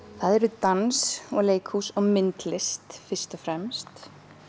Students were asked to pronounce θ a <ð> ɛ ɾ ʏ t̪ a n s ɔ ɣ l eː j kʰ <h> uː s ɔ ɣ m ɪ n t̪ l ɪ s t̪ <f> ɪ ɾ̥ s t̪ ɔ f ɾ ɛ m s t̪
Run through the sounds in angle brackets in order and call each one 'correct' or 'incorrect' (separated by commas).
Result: correct, correct, correct